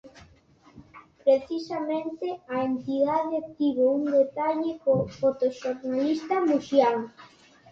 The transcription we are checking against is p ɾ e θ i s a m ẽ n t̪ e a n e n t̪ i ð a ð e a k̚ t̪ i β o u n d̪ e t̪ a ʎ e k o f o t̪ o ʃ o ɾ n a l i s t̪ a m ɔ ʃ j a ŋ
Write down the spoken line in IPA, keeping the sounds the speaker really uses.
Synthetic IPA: p ɾ e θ i s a m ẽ n t̪ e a e n t̪ i ð a ð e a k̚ t̪ i β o u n d̪ e t̪ a ʎ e k o f o t̪ o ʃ o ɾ n a l i s t̪ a m u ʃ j a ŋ